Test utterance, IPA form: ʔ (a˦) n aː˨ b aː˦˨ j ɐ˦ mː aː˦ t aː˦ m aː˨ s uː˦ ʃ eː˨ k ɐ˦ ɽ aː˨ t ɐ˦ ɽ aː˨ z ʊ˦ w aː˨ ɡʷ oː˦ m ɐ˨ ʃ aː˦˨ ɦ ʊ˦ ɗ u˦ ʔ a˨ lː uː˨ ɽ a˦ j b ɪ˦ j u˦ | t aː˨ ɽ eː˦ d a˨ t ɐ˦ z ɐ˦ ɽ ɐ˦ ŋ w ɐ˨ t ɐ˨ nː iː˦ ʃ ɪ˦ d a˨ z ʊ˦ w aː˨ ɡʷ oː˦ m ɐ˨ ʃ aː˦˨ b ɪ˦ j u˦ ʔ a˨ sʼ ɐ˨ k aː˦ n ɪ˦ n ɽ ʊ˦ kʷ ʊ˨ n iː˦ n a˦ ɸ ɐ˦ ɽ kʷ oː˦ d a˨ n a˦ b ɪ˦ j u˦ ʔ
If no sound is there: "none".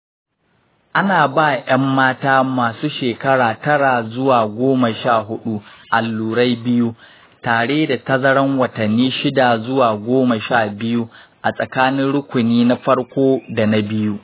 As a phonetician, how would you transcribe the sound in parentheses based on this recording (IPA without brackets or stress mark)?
a˦